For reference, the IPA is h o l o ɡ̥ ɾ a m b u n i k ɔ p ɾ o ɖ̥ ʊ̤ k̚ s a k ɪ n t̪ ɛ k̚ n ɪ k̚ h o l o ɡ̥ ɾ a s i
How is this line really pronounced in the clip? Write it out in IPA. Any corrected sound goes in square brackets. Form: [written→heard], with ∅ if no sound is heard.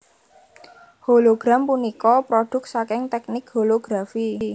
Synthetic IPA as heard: h o l o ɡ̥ ɾ a m [b→p] u n i k ɔ p ɾ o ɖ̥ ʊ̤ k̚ s a k ɪ [n→ŋ] t̪ ɛ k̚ n ɪ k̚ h o l o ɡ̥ ɾ a [s→f] i